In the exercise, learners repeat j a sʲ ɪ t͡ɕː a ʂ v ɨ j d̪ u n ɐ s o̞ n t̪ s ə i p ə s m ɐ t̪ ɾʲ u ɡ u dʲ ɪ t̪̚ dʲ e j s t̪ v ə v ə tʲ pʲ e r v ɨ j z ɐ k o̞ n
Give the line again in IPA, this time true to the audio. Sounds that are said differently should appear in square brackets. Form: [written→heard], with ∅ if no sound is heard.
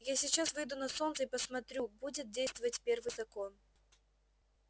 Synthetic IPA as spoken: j a sʲ ɪ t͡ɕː a [ʂ→s] v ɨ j d̪ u n ɐ s o̞ n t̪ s ə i p ə s m ɐ t̪ ɾʲ u [ɡ→b] u dʲ ɪ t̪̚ dʲ e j s t̪ v ə v ə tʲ pʲ e r v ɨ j z ɐ k o̞ n